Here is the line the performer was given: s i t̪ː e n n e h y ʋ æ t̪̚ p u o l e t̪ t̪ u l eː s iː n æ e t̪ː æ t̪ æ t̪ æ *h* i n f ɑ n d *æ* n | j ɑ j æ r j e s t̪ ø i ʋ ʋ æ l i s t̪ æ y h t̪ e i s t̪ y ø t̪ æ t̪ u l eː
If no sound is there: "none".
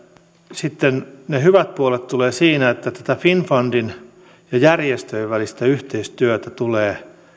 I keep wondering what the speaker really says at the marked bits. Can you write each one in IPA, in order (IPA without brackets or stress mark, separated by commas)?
f, i